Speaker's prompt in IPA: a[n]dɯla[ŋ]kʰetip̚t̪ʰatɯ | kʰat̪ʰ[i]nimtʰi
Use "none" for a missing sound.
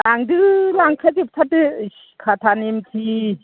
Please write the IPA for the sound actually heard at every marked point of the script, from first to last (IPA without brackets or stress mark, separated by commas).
ŋ, ŋ, a